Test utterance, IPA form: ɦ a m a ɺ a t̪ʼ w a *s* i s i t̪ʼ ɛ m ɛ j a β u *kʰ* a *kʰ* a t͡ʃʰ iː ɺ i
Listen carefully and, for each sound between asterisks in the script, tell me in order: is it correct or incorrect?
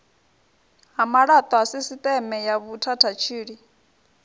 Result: correct, incorrect, incorrect

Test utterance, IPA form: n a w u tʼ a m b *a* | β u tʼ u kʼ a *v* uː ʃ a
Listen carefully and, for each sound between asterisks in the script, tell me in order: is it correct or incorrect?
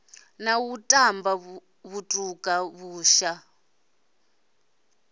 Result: correct, incorrect

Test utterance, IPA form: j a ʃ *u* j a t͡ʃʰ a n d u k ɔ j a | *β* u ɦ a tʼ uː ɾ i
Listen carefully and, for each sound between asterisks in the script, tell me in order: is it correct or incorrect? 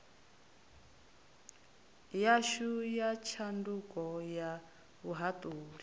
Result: correct, correct

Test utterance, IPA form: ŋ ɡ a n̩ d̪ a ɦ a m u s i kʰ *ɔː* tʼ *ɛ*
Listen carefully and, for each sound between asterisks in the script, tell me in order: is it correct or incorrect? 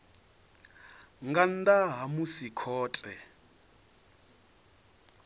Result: correct, correct

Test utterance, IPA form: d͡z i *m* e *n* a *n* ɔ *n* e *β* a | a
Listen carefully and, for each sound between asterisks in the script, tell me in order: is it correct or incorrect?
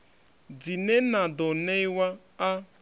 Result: incorrect, correct, incorrect, correct, incorrect

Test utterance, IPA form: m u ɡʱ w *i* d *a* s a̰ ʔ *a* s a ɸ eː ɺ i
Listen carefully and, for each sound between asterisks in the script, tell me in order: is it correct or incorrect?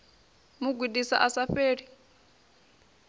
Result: correct, incorrect, correct

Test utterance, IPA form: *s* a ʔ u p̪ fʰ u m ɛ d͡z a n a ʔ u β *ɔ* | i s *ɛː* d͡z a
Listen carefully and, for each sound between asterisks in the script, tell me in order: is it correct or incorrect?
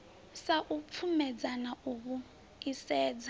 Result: correct, incorrect, correct

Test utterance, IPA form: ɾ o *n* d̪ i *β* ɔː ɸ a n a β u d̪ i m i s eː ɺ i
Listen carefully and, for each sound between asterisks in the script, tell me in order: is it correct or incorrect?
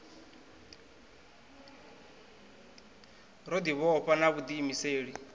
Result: incorrect, correct

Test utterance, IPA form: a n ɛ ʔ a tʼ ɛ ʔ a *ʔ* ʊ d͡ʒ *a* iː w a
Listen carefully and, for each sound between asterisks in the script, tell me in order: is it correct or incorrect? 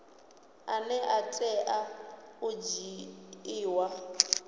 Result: incorrect, incorrect

